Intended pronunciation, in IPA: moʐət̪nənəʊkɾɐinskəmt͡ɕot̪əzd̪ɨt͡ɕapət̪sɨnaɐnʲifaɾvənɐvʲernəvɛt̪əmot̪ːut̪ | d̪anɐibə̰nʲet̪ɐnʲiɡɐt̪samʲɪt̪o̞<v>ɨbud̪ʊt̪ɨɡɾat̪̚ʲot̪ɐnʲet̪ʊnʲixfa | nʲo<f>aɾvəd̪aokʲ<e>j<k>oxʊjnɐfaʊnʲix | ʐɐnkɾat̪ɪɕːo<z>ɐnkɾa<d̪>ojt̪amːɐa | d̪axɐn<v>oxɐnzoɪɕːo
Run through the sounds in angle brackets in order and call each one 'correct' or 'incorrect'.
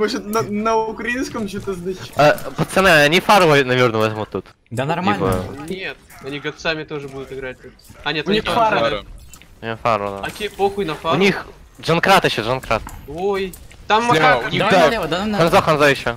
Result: incorrect, correct, correct, incorrect, incorrect, incorrect, incorrect

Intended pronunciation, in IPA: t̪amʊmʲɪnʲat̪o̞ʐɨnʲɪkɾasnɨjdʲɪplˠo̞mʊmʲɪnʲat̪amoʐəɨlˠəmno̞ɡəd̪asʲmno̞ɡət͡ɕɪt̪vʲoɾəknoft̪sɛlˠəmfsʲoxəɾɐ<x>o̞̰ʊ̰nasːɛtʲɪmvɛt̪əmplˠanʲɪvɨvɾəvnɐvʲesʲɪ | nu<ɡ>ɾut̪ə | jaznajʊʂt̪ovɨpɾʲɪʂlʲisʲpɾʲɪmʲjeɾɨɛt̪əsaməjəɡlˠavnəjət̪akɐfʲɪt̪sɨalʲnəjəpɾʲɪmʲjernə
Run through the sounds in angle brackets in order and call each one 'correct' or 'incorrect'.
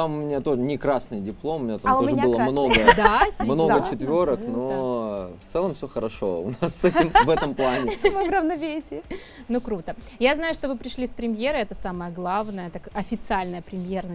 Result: incorrect, incorrect

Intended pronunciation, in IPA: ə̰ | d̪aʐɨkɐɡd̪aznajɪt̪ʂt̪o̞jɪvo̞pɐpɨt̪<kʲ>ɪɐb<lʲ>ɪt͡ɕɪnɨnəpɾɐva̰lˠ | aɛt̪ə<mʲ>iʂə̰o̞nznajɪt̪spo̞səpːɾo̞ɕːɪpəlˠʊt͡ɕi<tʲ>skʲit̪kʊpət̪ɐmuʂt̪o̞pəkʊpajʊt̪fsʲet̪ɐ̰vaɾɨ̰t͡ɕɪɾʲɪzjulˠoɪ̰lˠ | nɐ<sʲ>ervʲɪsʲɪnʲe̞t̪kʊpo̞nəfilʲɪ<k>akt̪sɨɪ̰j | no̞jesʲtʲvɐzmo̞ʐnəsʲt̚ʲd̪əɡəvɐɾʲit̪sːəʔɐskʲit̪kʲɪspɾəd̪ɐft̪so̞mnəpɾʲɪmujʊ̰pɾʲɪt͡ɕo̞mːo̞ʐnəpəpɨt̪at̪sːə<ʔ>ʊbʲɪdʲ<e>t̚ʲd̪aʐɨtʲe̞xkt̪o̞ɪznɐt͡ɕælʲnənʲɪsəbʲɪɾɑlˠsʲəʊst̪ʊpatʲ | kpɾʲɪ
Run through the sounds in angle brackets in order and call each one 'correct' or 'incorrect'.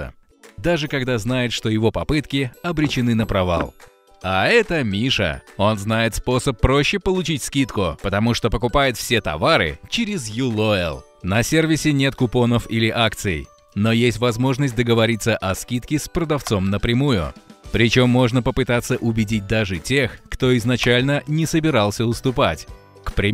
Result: correct, incorrect, correct, correct, correct, incorrect, correct, incorrect

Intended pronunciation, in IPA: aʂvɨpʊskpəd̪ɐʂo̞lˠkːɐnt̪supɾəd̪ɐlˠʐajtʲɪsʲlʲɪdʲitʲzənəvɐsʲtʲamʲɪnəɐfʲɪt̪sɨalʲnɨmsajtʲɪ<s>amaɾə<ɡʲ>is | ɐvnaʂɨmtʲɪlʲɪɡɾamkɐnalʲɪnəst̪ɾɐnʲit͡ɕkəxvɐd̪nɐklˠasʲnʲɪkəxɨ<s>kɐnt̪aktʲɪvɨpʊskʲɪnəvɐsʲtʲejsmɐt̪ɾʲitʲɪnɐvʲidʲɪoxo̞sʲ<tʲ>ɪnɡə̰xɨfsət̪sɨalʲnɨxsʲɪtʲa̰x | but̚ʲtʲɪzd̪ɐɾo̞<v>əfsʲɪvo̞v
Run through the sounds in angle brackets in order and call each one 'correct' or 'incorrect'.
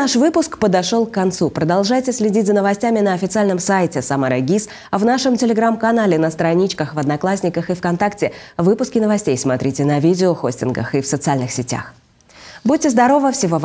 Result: correct, correct, incorrect, correct, correct

